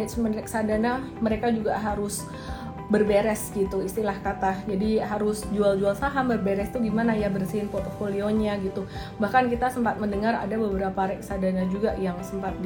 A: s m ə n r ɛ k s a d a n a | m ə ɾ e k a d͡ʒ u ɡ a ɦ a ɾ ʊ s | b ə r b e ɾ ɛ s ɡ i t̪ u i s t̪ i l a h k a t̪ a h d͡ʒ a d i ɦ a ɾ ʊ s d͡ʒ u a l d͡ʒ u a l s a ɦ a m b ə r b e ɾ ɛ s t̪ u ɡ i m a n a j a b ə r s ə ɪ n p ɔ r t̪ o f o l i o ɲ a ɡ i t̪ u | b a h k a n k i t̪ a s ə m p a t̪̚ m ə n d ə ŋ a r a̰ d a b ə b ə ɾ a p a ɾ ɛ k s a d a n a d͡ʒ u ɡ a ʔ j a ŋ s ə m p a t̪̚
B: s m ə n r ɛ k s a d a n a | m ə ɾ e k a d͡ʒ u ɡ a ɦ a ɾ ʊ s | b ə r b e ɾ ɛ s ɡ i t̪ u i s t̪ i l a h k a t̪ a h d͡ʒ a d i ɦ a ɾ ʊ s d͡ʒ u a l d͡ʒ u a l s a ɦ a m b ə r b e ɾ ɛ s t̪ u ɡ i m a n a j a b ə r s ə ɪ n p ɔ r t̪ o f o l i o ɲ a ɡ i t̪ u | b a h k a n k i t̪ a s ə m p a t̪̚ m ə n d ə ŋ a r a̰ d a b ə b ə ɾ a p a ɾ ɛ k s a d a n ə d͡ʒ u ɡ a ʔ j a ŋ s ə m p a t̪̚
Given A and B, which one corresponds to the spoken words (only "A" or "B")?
A